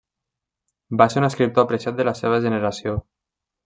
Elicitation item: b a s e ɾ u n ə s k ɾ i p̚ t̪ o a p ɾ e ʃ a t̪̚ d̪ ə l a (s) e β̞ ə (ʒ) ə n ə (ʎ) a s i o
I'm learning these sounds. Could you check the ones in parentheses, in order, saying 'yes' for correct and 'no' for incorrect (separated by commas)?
yes, yes, no